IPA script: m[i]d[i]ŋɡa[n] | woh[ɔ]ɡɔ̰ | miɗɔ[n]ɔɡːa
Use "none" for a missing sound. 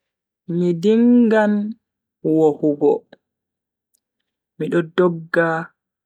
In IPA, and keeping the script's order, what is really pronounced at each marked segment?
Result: i, i, n, u, d

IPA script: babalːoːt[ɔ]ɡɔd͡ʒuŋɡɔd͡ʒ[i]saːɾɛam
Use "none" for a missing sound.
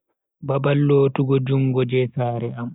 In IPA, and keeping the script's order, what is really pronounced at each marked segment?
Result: u, ɛ

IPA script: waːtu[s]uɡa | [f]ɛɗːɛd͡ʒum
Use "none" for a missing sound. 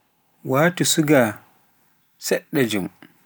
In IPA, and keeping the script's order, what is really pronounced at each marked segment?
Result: s, s

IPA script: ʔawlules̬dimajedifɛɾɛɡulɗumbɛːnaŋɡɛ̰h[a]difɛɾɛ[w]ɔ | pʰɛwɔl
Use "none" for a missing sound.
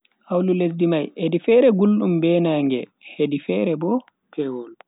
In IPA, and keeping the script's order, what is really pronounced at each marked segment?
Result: e, b

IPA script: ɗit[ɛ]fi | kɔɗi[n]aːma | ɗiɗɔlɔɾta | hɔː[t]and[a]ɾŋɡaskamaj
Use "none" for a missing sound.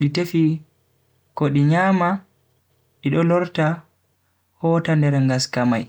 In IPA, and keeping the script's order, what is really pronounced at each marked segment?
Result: e, ɲ, t, ɛ

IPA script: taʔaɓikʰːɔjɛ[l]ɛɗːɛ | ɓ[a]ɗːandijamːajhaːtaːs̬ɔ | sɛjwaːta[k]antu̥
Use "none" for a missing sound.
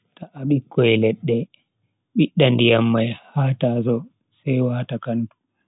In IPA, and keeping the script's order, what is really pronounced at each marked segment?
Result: l, i, k

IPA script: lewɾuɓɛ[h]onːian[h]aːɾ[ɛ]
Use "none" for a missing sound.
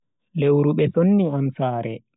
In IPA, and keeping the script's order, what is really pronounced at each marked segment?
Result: s, s, ɛ

